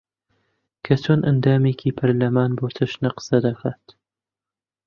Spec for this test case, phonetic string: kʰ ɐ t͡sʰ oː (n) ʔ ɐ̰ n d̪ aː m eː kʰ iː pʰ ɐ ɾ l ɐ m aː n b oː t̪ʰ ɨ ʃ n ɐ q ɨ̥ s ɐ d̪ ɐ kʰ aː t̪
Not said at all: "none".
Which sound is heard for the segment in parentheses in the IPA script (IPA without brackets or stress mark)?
n